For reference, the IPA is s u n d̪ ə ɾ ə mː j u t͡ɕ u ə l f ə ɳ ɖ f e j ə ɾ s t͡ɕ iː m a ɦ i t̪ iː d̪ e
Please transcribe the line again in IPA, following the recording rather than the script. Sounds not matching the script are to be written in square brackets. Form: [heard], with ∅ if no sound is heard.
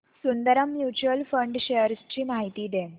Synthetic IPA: s u n d̪ ə ɾ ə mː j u t͡ɕ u ə l f ə ɳ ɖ [ɕ] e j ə ɾ s t͡ɕ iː m a ɦ i t̪ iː d̪ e